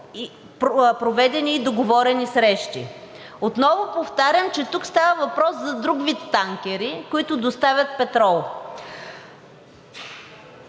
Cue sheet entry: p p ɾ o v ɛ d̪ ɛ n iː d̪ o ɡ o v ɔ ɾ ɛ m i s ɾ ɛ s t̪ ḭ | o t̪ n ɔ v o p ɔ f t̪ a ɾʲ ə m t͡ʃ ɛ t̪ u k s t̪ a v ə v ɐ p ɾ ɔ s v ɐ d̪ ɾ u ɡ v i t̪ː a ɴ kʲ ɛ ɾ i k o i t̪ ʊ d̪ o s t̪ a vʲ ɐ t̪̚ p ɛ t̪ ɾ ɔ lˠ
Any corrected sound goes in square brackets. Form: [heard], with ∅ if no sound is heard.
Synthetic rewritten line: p p ɾ o v ɛ d̪ ɛ n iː d̪ o ɡ o v ɔ ɾ ɛ [n] i s ɾ ɛ [ʃ] t̪ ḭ | o t̪ n ɔ v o p [o] f t̪ a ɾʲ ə m t͡ʃ ɛ t̪ u k s t̪ a v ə v ɐ p ɾ ɔ s [z] ɐ d̪ ɾ u ɡ v i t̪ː a [ŋ] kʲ ɛ ɾ i k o i t̪ ʊ d̪ o s t̪ a vʲ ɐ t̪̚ p ɛ t̪ ɾ ɔ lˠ